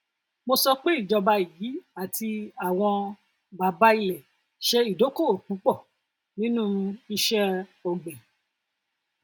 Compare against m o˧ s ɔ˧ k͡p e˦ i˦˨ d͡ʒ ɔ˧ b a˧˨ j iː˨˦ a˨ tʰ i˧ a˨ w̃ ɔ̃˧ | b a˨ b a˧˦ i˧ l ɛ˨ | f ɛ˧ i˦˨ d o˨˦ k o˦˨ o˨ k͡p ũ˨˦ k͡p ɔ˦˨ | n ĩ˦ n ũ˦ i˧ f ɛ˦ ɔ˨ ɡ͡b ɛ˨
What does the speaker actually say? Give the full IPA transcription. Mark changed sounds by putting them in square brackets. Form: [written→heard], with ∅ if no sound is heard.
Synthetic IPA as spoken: m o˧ s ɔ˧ k͡p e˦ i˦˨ d͡ʒ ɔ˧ b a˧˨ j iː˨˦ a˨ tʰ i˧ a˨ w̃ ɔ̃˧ | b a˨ b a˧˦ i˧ l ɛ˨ | [f→ʃ] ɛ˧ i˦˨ d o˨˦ k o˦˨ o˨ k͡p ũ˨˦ k͡p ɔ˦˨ | n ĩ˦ n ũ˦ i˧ [f→ʃ] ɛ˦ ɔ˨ ɡ͡b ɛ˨